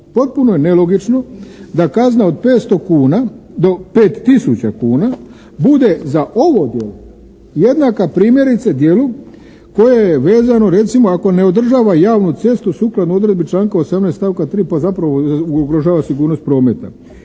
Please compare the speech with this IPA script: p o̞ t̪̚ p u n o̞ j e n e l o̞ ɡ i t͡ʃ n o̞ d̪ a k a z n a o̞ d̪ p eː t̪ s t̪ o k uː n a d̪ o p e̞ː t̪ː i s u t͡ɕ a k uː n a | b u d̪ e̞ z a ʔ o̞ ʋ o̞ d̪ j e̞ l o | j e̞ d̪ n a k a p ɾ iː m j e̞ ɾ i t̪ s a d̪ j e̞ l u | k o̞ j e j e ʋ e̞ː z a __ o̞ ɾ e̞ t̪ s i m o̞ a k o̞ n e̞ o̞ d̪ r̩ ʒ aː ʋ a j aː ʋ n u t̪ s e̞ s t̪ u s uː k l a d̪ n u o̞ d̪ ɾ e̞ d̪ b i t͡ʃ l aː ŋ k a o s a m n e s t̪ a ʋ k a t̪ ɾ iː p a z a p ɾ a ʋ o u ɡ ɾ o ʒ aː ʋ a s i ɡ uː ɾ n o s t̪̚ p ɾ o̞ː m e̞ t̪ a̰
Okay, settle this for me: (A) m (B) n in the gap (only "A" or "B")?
B